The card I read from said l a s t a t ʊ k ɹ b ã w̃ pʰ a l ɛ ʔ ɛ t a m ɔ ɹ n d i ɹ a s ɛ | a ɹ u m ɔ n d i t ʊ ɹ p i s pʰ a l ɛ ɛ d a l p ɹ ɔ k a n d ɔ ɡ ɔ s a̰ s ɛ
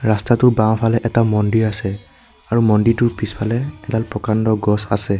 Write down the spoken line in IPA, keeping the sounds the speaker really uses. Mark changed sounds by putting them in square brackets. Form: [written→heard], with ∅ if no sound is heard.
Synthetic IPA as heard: [l→ɹ] a s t a t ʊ [k→∅] ɹ b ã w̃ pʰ a l ɛ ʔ ɛ t a m ɔ [ɹ→∅] n d i ɹ a s ɛ | a ɹ u m ɔ n d i t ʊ ɹ p i s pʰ a l ɛ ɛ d a l p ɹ ɔ k a n d ɔ ɡ ɔ s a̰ s ɛ